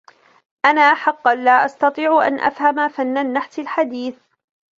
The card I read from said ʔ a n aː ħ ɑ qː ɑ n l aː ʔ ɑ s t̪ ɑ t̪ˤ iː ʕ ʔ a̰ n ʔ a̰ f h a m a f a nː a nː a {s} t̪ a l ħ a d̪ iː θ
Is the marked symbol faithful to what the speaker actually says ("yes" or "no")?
no